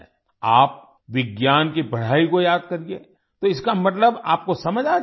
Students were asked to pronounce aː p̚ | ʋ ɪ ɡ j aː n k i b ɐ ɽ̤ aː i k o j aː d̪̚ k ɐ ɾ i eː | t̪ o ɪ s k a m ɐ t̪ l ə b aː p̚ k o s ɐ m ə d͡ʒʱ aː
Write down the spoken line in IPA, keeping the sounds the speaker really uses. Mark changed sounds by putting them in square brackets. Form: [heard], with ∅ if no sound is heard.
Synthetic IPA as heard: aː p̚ | ʋ ɪ ɡ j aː n k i b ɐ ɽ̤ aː i k o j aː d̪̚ k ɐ ɾ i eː | t̪ o ɪ s k a m ɐ t̪ l ə b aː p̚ k o s ɐ m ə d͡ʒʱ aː